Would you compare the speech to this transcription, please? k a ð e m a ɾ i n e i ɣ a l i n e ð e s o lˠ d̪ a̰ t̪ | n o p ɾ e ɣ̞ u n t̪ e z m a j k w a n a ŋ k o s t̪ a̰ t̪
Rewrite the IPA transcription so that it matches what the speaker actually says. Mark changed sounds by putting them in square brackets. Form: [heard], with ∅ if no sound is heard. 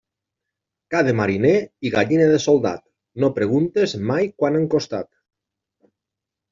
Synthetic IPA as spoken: k a ð e m a ɾ i n e i ɣ a [ʎ] i n e ð e s o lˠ d̪ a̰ t̪ | n o p ɾ e ɣ̞ u n t̪ e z m a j k w a n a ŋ k o s t̪ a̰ t̪